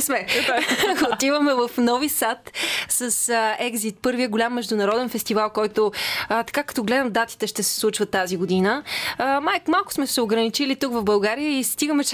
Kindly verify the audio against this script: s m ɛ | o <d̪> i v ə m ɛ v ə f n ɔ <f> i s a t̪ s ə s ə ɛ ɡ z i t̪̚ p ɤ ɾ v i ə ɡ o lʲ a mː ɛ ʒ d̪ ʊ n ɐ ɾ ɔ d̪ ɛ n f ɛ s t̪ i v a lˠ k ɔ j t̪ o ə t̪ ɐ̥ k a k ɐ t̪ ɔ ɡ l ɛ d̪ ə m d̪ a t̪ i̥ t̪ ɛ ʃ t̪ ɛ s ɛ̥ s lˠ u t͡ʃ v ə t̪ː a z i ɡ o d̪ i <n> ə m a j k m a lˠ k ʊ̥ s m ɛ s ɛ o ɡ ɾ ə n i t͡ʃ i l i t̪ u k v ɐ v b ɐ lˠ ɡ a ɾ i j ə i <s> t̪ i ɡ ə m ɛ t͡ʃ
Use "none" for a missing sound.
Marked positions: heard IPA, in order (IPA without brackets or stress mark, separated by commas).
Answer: t̪, v, n, s